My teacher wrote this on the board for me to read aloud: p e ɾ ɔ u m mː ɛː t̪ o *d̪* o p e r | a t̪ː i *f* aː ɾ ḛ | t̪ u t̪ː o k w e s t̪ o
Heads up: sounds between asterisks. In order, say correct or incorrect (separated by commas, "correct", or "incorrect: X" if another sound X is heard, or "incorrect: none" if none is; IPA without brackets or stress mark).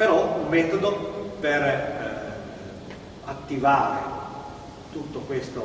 correct, incorrect: v